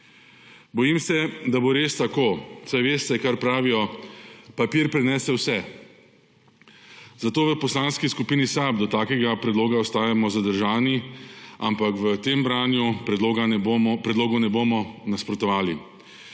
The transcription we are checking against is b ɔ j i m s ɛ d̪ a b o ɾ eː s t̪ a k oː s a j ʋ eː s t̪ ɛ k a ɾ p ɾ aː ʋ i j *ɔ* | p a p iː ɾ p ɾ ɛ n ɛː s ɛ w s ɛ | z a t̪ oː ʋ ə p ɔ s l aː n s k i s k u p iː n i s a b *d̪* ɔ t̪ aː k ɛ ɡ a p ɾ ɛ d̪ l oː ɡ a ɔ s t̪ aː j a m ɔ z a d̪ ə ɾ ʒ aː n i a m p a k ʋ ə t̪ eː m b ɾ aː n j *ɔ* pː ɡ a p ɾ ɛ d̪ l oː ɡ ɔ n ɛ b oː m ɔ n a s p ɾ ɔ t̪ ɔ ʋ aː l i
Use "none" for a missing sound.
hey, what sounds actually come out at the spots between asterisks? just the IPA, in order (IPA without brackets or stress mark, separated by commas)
ɔ, d̪, u